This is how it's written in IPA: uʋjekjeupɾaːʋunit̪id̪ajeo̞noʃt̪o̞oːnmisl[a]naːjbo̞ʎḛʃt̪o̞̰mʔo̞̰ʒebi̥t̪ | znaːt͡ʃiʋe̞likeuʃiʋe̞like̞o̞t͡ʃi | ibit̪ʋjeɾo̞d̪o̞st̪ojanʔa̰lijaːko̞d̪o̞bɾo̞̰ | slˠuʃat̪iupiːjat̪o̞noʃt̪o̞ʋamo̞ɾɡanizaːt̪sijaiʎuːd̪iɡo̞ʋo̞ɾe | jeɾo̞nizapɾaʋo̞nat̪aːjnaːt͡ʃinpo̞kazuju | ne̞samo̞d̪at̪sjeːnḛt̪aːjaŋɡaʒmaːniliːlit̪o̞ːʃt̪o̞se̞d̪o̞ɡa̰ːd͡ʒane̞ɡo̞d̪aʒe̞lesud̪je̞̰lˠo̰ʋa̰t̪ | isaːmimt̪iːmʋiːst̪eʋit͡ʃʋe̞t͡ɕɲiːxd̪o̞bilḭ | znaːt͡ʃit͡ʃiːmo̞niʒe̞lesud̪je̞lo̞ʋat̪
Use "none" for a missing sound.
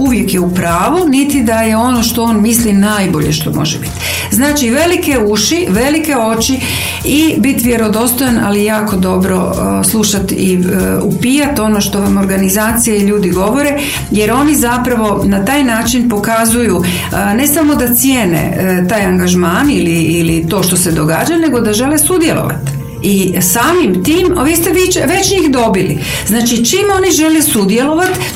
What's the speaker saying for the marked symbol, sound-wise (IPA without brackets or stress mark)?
i